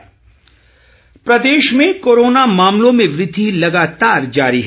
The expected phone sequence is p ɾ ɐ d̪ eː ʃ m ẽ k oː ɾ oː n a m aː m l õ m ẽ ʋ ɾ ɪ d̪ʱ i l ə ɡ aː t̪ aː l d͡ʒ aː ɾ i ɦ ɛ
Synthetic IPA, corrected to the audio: p ɾ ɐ d̪ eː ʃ m ẽ k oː ɾ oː n a m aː m l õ m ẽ ʋ ɾ ɪ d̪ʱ i l ɐ ɡ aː t̪ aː ɾ d͡ʒ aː ɾ i ɦ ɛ